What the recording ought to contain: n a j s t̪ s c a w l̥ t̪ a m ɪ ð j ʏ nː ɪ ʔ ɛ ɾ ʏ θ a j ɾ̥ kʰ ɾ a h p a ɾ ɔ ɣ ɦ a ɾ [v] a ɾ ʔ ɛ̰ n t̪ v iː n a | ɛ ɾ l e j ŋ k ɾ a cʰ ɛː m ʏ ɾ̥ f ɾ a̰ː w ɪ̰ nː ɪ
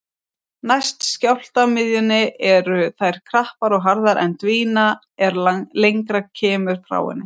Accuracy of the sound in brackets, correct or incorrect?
incorrect